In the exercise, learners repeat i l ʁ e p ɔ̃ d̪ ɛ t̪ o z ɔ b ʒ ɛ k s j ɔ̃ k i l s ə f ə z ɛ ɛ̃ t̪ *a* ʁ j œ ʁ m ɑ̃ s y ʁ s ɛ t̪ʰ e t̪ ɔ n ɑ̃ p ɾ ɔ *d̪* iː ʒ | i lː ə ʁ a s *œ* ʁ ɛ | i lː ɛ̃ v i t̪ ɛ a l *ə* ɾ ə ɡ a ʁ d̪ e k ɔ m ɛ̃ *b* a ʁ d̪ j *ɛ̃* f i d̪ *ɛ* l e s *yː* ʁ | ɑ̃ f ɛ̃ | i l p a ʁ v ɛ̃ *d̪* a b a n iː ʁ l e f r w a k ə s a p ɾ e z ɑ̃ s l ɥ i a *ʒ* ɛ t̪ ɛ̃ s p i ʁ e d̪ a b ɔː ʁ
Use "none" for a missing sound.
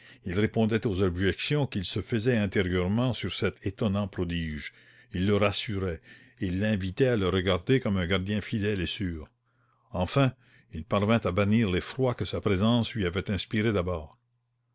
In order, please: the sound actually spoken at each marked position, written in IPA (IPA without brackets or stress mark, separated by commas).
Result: e, d̪, y, ə, ɡ, ɛ̃, ɛ, yː, t̪, v